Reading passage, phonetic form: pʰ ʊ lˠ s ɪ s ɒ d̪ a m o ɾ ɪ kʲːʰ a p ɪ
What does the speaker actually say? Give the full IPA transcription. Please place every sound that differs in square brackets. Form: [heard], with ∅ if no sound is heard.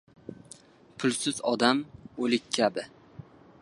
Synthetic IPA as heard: pʰ ʊ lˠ s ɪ [z] ɒ d̪ a m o [l] ɪ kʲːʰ a [b] ɪ